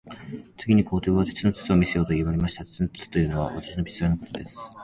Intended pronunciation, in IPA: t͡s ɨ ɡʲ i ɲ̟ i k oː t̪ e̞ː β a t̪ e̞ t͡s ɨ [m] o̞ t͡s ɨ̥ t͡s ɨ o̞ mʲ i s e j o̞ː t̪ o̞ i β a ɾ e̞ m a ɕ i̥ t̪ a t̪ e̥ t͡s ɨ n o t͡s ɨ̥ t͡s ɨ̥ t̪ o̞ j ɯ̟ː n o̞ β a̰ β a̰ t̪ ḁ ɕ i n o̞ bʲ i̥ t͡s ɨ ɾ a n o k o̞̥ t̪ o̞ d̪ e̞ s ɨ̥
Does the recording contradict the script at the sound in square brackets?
yes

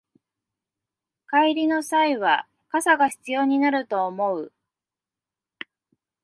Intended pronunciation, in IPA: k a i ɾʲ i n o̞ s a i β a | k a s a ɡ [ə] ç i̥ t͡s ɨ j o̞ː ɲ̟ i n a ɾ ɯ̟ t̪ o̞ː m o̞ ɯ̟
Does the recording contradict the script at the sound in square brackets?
yes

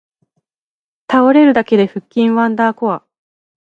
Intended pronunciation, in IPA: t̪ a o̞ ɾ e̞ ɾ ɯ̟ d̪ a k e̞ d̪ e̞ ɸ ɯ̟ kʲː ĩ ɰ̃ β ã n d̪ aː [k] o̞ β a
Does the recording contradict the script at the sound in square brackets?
no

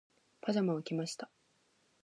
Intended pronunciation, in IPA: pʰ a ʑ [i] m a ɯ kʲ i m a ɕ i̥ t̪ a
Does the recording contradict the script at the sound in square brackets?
yes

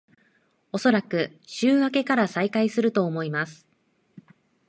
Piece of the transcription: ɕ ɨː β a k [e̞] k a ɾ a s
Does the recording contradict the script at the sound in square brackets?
no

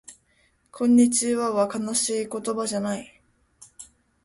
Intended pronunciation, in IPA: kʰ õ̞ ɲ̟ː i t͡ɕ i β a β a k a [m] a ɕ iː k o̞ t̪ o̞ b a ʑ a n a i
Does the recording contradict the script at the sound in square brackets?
yes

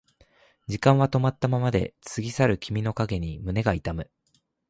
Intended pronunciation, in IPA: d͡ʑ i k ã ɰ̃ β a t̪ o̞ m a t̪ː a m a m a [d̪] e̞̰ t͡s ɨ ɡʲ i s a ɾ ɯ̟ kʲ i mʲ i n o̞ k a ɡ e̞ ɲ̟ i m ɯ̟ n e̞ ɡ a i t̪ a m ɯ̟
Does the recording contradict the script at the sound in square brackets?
no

